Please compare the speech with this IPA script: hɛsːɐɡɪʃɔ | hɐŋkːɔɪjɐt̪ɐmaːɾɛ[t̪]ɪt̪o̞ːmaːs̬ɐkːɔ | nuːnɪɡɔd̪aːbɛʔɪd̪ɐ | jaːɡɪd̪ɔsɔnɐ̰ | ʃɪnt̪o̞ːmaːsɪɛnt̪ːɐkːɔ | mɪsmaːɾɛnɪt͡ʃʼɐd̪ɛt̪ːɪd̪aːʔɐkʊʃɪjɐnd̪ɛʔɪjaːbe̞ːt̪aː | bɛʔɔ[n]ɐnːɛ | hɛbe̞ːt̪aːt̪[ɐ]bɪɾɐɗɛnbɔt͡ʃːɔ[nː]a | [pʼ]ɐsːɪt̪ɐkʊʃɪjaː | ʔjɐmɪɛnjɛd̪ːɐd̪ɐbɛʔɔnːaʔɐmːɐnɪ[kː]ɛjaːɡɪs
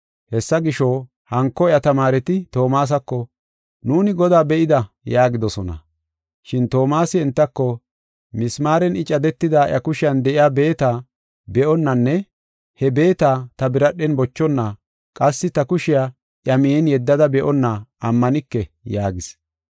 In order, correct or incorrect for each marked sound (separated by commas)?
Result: correct, incorrect, correct, correct, incorrect, correct